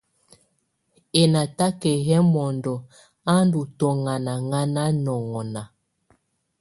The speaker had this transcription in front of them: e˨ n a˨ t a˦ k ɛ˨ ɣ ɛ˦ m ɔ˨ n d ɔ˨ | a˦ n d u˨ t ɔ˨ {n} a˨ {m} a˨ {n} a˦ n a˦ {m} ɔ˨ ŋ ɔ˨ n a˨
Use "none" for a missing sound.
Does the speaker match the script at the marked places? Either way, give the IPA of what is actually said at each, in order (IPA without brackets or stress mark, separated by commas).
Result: ŋ, n, ŋ, n